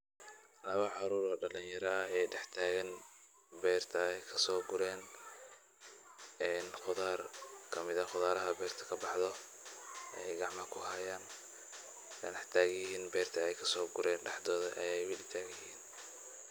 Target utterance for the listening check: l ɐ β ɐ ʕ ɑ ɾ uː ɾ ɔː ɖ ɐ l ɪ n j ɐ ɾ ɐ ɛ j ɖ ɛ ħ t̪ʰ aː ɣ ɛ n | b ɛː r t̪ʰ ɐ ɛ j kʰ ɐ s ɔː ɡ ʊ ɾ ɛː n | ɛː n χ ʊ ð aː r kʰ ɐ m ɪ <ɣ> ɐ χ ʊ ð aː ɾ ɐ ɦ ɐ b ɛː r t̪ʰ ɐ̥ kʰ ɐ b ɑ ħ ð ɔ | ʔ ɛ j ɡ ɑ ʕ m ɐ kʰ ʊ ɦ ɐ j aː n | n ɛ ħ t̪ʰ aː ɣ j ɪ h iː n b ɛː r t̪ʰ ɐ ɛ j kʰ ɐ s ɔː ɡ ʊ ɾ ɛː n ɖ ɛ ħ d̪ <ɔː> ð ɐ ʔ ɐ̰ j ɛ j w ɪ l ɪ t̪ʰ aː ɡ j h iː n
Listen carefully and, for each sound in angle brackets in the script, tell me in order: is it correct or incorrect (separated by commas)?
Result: incorrect, correct